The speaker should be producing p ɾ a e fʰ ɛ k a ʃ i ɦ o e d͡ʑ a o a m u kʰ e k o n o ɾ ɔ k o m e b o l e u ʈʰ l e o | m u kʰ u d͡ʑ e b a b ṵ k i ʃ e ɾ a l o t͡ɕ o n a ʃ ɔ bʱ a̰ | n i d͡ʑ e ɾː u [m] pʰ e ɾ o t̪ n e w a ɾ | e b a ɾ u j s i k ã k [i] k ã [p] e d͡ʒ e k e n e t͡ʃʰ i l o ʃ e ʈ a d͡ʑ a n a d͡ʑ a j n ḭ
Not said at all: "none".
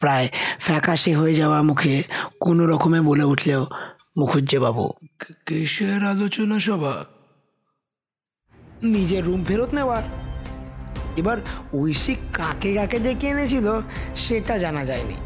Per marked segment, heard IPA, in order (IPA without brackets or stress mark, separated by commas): m, e, k